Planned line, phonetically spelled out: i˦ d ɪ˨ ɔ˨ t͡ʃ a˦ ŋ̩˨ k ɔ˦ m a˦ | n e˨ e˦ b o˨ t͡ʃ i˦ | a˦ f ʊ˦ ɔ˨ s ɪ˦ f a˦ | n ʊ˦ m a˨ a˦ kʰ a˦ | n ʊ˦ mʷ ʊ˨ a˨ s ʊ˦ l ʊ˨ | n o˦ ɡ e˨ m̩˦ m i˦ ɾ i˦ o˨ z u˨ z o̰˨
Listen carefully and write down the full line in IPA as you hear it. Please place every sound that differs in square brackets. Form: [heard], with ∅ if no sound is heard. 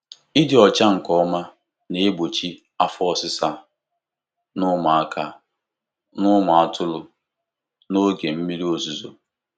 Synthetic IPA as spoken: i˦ d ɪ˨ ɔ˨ t͡ʃ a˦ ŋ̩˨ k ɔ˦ m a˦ | n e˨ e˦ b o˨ t͡ʃ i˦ | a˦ f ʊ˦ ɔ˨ s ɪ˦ [s] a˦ | n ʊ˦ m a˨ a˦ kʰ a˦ | n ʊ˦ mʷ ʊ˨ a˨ [t] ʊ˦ l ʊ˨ | n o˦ ɡ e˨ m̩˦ m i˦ ɾ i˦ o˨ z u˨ z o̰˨